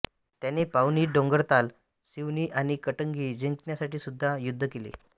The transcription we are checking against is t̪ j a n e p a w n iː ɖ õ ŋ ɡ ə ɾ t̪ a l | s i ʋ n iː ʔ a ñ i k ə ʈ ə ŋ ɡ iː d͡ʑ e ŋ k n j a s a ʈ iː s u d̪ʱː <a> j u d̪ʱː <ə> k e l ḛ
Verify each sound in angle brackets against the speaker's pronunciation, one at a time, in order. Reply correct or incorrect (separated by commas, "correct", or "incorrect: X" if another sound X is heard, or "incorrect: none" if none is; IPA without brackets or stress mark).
correct, correct